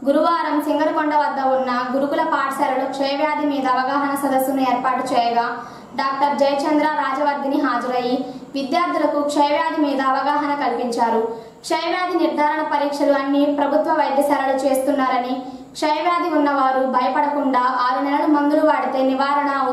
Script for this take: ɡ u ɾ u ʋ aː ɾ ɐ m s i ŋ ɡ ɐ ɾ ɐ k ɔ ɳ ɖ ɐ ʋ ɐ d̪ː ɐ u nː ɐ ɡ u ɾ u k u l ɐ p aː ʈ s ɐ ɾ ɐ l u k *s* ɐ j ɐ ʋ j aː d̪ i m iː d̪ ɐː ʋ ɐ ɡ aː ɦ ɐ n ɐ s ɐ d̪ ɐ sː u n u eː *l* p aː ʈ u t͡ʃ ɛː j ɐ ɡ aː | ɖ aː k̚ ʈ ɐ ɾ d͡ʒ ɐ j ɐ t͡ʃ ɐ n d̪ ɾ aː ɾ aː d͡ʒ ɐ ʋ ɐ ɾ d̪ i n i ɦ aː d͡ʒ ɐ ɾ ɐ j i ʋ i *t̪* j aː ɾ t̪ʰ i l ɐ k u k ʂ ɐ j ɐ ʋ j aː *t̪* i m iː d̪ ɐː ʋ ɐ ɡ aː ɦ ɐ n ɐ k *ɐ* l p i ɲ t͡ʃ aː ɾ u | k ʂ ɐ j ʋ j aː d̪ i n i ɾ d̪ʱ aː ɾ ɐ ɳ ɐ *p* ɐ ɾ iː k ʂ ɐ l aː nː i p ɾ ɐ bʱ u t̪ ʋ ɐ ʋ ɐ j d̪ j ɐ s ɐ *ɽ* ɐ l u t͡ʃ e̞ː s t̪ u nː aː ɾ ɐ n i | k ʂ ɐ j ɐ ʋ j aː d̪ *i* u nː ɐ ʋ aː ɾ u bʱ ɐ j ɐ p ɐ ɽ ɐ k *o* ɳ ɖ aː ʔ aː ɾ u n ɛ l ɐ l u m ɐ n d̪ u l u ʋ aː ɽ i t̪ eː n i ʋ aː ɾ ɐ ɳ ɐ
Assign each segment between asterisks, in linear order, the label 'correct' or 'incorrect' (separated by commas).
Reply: incorrect, incorrect, incorrect, incorrect, correct, correct, incorrect, correct, incorrect